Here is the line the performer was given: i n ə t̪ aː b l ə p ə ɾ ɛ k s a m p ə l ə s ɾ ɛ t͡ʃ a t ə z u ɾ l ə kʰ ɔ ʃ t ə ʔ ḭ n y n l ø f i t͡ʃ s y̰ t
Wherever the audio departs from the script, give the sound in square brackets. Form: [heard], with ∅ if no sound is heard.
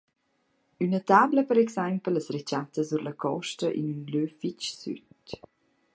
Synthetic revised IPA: [y] n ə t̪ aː b l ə p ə ɾ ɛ k s a m p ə l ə s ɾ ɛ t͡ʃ a t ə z u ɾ l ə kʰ ɔ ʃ t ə ʔ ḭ n y n l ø f i t͡ʃ s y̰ t